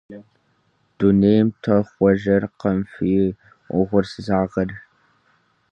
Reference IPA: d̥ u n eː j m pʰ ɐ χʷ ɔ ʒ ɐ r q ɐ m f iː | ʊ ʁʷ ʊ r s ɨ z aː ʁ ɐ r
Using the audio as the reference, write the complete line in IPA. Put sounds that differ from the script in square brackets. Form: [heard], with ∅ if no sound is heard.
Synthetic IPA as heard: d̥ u n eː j m [tʰ] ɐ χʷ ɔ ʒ ɐ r q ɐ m f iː | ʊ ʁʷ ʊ r s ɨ z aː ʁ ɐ r